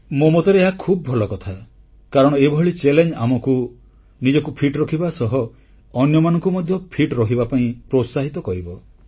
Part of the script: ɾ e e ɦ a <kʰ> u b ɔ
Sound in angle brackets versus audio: correct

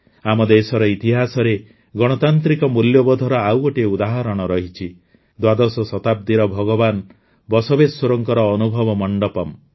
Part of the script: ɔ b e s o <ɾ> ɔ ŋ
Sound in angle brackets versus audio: correct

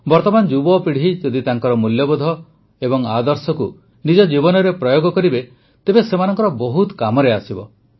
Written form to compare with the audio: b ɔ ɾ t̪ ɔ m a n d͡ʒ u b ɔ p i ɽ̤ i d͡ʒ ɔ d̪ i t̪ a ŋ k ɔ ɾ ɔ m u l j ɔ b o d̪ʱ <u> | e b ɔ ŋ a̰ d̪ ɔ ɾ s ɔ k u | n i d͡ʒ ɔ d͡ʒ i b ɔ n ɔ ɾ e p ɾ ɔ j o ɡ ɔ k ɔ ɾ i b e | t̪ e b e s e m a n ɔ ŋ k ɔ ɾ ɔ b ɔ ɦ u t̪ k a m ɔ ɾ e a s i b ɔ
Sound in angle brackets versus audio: incorrect: ɔ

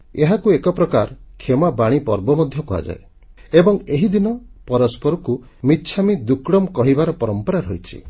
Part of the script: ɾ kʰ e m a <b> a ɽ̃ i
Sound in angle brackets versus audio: correct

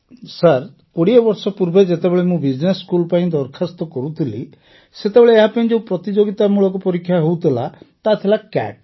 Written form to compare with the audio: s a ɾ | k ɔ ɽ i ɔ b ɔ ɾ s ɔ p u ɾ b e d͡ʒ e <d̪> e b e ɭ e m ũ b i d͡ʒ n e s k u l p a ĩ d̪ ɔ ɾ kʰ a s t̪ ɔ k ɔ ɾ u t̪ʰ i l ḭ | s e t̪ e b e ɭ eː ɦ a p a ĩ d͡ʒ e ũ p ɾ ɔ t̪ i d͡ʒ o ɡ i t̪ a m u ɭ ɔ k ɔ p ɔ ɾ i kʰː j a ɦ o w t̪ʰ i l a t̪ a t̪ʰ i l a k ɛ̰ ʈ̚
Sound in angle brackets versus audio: incorrect: t̪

